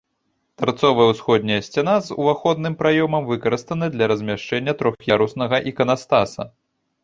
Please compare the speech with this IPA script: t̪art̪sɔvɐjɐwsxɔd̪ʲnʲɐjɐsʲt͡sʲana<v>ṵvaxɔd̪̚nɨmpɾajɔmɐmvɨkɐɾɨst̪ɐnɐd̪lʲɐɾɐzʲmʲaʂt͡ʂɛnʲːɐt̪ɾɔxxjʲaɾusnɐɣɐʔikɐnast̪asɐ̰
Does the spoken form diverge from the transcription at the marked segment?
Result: yes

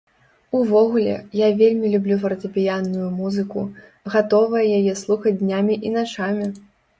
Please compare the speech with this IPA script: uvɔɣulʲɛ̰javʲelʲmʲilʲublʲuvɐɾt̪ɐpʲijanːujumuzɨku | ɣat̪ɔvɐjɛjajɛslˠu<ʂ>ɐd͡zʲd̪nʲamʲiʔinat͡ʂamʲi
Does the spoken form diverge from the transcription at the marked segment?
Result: yes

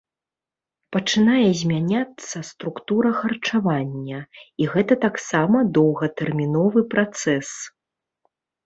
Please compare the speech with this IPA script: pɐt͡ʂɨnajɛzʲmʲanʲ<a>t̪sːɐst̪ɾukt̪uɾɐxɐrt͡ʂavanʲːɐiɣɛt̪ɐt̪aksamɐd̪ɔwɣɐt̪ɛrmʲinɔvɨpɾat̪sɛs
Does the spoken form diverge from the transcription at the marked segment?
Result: no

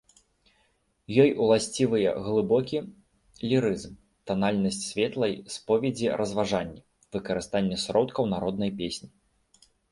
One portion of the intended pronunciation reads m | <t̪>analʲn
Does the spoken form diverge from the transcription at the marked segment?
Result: no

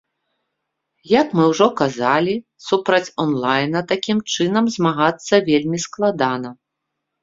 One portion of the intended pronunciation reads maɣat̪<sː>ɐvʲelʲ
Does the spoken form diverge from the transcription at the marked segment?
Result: no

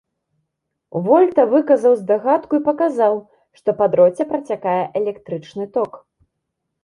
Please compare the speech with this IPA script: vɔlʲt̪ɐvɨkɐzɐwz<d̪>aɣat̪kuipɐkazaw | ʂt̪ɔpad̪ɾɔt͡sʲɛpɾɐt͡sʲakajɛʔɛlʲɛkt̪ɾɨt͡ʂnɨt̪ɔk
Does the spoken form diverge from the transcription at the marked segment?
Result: no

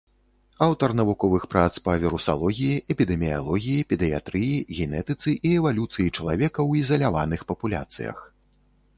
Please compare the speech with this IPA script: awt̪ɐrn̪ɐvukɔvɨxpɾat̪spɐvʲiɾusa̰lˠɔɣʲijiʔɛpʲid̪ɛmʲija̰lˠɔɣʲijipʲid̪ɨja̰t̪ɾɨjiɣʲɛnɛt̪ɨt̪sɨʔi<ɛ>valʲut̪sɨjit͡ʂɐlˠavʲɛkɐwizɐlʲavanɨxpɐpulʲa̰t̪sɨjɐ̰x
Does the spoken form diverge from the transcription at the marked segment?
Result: no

